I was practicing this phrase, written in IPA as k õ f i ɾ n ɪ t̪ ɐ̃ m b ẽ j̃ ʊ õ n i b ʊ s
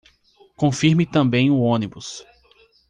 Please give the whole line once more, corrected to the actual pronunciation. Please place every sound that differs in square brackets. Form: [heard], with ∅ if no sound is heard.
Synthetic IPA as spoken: k õ f i ɾ [m] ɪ t̪ ɐ̃ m b ẽ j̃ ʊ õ n i b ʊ s